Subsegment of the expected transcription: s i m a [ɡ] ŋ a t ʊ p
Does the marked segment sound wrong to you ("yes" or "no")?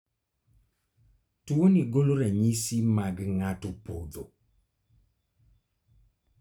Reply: no